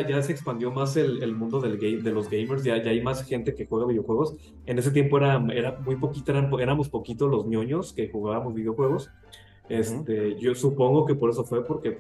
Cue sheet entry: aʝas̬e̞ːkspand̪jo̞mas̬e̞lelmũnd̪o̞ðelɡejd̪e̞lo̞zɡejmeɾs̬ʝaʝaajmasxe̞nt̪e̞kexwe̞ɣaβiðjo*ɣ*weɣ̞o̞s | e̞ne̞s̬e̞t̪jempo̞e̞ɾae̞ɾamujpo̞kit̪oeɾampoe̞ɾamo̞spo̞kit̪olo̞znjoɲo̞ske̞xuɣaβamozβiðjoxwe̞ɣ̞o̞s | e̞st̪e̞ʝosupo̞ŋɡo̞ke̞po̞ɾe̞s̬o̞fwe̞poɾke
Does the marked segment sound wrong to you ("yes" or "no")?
yes